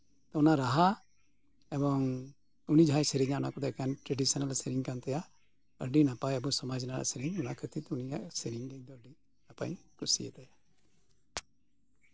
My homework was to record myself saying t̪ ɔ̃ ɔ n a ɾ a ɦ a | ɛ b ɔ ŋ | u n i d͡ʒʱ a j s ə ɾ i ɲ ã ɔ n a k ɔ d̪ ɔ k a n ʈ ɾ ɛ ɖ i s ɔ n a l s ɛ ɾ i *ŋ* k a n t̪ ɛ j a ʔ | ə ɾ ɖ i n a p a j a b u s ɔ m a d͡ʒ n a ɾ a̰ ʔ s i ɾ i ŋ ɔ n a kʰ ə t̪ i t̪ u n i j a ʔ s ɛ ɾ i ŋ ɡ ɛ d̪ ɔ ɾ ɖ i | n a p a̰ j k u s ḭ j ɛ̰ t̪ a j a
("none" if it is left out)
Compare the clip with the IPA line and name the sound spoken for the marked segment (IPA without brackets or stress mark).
ŋ